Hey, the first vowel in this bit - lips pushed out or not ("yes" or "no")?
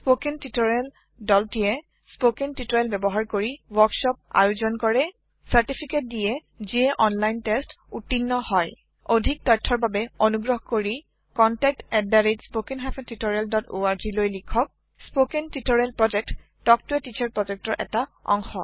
yes